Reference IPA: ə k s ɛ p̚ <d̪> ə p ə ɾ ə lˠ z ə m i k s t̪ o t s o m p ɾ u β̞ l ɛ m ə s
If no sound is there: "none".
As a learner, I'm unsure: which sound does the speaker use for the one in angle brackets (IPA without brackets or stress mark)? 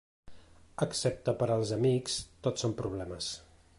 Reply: t̪